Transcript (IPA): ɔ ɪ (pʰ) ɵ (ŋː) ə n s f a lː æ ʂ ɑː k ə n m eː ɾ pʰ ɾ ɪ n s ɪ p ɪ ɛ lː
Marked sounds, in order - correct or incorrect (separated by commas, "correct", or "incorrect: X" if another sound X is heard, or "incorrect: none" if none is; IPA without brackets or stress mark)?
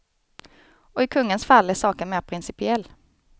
incorrect: kʰ, correct